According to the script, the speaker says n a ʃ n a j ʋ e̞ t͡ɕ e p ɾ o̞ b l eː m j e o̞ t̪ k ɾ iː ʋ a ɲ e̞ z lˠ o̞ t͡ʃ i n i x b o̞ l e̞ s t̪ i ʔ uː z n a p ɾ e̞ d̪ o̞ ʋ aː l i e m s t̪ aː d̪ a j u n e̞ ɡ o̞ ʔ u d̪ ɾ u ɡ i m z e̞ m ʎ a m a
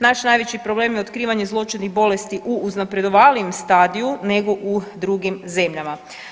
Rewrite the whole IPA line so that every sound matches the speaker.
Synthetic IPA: n a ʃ n a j ʋ e̞ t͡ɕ i p ɾ o̞ b l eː m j e o̞ t̪ k ɾ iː ʋ a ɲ e̞ z lˠ o̞ t͡ʃ i n i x b o̞ l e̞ s t̪ i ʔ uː z n a p ɾ e̞ d̪ o̞ ʋ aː l i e m s t̪ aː d̪ i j u n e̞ ɡ o̞ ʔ u d̪ ɾ u ɡ i m z e̞ m ʎ a m a